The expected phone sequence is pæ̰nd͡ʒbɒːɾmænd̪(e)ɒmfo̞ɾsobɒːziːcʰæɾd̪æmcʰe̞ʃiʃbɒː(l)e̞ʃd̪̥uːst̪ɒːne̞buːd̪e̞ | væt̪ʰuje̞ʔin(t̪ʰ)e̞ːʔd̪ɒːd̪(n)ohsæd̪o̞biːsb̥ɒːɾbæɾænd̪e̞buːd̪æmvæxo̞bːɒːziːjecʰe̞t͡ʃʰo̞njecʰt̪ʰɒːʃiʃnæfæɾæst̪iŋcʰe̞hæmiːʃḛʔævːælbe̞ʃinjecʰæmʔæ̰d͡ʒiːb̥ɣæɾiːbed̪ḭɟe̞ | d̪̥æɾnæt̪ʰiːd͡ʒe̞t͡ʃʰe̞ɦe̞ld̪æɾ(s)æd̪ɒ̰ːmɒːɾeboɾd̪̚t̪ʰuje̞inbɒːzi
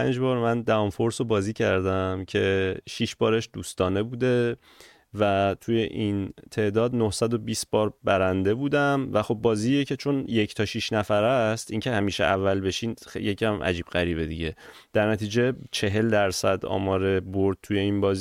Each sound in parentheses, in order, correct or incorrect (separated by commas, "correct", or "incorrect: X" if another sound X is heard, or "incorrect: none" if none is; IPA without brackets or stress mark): incorrect: æ, incorrect: ɾ, correct, correct, correct